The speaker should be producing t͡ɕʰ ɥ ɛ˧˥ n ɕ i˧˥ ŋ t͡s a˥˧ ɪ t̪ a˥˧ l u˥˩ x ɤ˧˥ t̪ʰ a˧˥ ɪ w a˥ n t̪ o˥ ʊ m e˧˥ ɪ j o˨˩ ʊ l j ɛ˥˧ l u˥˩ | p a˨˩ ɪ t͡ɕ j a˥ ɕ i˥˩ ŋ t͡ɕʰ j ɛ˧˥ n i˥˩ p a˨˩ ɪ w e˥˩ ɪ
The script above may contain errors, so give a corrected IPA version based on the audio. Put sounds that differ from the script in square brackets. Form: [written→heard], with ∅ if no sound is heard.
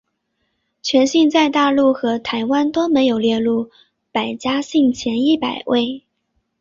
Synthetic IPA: t͡ɕʰ ɥ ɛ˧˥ n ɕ [i˧˥→i˥˧] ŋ t͡s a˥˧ ɪ t̪ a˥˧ l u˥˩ x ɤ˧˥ t̪ʰ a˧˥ ɪ w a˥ n t̪ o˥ ʊ m e˧˥ ɪ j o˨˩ ʊ l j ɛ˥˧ l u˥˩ | p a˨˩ ɪ t͡ɕ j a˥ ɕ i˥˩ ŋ t͡ɕʰ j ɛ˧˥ n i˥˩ p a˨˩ ɪ w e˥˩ ɪ